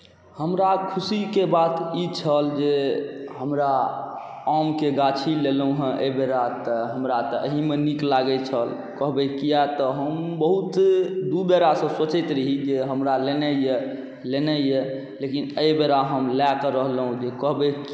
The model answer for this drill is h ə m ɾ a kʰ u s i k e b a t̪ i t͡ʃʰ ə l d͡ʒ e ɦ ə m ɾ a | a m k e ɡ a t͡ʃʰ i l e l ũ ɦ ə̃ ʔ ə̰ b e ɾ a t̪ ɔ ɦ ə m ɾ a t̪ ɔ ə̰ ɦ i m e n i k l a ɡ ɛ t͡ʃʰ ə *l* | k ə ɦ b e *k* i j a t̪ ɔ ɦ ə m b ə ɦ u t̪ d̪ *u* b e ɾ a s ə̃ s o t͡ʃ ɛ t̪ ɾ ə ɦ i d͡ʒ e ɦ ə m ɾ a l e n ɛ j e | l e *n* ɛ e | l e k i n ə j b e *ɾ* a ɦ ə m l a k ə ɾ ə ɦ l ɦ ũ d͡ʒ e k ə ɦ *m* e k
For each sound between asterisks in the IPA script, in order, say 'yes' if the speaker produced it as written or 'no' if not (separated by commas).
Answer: yes, yes, yes, yes, yes, no